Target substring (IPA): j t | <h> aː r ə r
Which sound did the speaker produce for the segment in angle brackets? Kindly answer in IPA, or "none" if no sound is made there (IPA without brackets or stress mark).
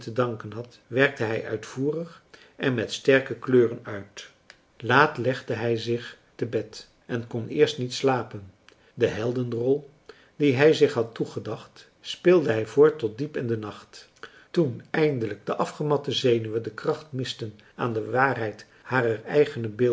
h